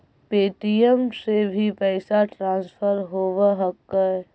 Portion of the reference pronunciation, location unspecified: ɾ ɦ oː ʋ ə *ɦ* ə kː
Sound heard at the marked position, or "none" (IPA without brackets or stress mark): ɦ